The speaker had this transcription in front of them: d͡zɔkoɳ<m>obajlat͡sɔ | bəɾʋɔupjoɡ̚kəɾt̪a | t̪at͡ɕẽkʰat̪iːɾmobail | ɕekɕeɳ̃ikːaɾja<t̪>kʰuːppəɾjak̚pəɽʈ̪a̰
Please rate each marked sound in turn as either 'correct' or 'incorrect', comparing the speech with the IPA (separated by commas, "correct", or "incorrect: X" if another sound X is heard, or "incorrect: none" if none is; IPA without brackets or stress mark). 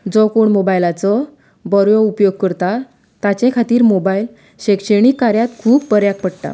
correct, correct